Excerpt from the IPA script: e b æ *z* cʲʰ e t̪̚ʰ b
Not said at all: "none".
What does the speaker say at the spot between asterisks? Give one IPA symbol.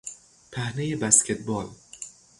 s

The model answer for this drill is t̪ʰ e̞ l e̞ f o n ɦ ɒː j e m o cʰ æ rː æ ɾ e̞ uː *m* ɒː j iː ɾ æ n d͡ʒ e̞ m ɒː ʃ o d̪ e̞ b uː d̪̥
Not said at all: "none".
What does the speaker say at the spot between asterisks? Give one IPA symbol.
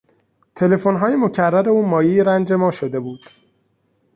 m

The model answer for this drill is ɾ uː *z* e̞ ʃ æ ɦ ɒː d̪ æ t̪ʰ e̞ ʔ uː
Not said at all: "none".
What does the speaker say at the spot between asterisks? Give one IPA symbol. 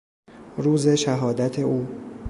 z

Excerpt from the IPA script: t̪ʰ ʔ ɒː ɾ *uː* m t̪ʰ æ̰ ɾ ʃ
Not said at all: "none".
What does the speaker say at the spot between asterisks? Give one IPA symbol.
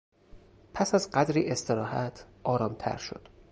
ɒː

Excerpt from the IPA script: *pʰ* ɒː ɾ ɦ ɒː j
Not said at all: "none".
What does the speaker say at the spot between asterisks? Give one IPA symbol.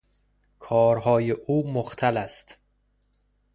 kʰ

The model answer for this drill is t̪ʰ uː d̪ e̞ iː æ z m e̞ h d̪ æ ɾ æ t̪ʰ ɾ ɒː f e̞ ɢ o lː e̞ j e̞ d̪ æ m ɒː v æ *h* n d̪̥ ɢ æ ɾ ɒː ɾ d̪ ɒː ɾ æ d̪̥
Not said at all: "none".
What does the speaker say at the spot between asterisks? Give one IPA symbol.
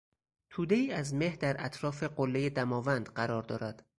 none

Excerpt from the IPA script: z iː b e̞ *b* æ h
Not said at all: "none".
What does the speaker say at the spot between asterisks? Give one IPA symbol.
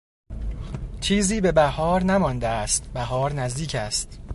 b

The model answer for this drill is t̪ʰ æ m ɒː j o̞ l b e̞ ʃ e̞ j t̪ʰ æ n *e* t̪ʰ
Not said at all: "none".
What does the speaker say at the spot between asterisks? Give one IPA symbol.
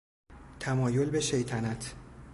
æ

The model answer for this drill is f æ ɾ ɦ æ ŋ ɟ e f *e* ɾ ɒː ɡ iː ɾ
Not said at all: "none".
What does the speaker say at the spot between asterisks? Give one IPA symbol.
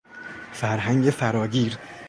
æ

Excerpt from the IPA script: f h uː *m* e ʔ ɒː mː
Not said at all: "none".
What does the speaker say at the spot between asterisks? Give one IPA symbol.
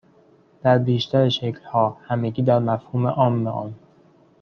m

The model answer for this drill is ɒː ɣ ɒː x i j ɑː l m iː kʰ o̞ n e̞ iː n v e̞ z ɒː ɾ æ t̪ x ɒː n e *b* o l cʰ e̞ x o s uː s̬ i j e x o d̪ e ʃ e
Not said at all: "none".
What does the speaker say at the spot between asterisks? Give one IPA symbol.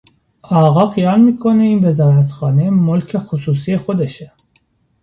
m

